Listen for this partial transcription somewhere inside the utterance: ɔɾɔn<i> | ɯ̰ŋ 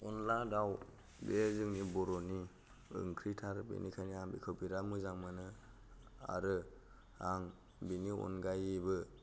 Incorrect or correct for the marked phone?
correct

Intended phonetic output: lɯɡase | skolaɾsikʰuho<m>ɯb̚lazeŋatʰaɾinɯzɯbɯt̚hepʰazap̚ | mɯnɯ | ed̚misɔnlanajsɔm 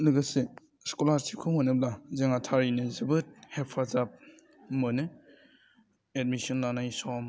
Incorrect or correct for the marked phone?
incorrect: n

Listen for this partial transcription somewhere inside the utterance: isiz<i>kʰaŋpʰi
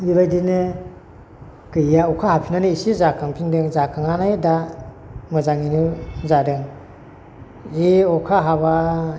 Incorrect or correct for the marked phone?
incorrect: a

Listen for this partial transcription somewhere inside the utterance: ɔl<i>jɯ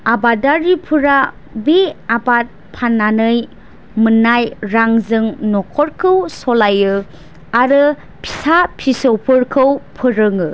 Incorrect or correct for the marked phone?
incorrect: a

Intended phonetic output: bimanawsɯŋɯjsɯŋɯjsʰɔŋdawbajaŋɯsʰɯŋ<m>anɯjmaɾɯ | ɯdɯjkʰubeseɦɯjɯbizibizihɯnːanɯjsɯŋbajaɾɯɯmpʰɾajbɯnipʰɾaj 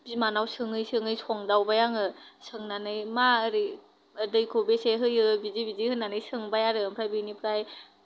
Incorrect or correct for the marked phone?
incorrect: n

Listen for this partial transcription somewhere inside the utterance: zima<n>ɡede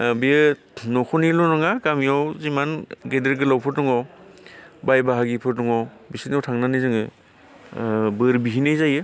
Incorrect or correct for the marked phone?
correct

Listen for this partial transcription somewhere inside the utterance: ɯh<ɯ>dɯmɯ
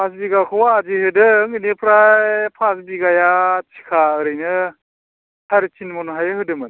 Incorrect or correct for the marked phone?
correct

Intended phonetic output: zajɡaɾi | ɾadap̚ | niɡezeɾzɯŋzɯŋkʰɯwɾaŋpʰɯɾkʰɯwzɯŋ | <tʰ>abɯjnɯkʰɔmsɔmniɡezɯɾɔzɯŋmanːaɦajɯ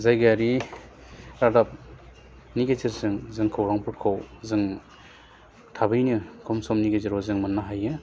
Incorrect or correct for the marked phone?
correct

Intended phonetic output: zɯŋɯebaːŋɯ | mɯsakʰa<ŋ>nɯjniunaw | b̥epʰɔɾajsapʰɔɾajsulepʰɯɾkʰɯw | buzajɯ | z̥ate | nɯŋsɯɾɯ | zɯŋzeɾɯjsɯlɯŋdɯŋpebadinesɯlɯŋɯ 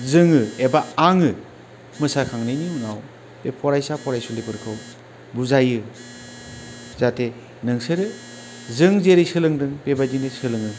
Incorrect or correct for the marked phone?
correct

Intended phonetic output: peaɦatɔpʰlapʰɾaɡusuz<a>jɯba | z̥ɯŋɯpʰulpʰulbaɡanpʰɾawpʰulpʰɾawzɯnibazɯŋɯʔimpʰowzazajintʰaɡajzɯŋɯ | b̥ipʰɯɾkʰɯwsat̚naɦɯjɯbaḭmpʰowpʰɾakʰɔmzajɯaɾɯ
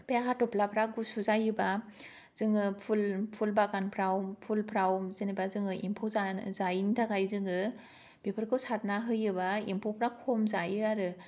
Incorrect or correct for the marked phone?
correct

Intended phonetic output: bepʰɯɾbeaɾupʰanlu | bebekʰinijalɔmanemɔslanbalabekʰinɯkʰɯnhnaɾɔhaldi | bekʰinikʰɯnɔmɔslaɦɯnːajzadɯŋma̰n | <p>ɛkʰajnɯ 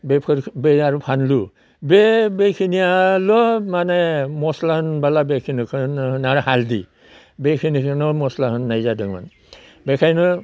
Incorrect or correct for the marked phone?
incorrect: b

